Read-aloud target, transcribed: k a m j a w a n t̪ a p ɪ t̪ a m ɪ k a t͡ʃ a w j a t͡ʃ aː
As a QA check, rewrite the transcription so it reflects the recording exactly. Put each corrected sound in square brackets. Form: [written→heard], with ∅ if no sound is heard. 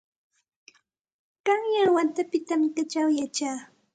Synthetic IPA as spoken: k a [m→ŋ] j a w a n t̪ a p ɪ t̪ a m ɪ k a t͡ʃ a w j a t͡ʃ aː